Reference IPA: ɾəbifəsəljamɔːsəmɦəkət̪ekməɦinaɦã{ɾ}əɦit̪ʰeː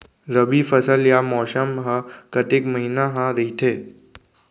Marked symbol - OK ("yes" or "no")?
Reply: yes